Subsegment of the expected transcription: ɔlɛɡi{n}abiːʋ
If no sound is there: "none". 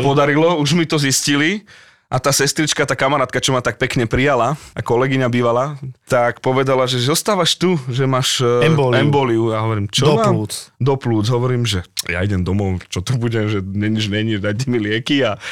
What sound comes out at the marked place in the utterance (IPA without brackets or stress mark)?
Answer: ɲ